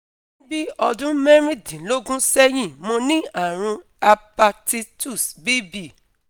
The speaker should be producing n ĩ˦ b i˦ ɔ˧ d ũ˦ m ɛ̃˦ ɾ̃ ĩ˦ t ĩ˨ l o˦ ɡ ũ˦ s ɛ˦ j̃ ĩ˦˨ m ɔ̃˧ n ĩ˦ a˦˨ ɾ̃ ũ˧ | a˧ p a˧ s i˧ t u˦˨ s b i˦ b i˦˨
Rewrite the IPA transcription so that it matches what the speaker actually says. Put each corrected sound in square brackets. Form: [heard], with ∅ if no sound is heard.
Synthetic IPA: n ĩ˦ b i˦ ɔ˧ d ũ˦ m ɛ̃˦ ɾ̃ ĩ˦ [d] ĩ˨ l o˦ ɡ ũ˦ s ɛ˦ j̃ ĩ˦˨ m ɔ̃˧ n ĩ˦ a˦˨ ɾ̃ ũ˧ | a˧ p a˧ [t] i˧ t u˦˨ s b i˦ b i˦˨